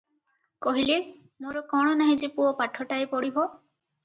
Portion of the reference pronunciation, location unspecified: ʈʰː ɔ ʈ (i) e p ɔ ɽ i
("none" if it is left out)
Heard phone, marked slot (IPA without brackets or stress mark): a